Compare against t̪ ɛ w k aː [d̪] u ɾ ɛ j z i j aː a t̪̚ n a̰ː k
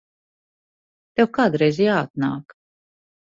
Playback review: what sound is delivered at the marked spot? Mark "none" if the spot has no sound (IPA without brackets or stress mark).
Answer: d̪